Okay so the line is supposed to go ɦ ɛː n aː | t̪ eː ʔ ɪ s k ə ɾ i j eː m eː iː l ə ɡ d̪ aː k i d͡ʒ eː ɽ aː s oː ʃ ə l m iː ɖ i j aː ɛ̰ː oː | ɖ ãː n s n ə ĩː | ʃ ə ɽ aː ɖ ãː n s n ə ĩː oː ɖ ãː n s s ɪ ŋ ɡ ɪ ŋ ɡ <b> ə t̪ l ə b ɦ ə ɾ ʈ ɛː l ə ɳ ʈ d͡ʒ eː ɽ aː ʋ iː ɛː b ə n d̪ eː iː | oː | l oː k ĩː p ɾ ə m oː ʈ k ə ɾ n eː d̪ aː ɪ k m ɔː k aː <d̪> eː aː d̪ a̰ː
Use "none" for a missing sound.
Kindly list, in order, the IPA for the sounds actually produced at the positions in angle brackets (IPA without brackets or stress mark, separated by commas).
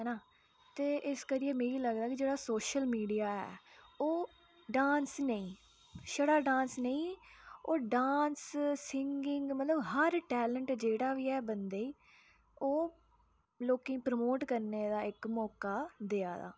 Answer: m, d̪